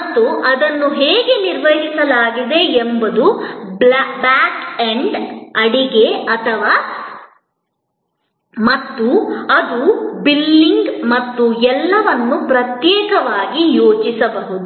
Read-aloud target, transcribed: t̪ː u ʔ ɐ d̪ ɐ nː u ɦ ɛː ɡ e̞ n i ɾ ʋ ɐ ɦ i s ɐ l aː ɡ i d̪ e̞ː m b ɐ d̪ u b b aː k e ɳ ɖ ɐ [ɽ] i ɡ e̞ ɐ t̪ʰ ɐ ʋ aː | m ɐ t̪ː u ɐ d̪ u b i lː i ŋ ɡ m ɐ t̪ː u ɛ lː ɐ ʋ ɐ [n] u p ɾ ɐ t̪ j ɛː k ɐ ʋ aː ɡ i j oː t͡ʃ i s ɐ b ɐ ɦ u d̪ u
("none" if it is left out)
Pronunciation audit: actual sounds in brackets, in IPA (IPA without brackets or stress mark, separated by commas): ɽ, nː